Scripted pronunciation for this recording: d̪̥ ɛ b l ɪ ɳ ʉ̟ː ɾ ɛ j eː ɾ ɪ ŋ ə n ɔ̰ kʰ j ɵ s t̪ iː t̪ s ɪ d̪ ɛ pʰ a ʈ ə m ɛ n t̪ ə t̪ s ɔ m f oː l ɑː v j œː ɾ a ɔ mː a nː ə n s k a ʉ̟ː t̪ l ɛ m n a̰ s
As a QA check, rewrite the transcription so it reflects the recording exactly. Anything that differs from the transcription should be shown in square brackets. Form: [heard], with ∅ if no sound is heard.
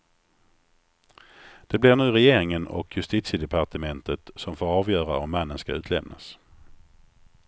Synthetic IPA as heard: d̪̥ ɛ b l ɪ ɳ ʉ̟ː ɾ ɛ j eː ɾ ɪ ŋ ə n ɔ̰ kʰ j ɵ s t̪ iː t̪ s ɪ d̪ ɛ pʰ a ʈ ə m ɛ n t̪ ə t̪ s ɔ m f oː [ɾ] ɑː v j œː ɾ a ɔ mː a nː ə n s k a ʉ̟ː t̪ l ɛ m n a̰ s